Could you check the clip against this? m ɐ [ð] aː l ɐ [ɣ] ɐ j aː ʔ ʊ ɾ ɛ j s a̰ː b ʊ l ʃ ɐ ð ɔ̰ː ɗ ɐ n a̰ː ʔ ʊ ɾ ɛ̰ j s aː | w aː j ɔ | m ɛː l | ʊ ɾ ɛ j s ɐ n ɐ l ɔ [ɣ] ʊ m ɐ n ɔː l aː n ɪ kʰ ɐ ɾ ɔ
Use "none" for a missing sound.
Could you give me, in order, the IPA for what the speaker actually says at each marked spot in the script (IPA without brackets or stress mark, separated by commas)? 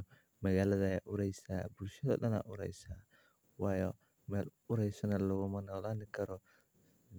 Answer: ɣ, ð, ɣ